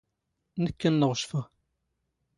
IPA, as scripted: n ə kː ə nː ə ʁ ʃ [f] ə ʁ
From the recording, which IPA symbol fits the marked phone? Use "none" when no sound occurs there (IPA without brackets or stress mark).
f